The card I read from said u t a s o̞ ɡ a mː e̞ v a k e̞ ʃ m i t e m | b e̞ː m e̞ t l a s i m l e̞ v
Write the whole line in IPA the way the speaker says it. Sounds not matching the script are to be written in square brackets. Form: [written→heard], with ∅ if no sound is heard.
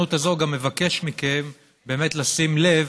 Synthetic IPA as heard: u t a [s→z] o̞ ɡ a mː e̞ v a k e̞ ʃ m i [t→k] e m | b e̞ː m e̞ t l a s i m l e̞ v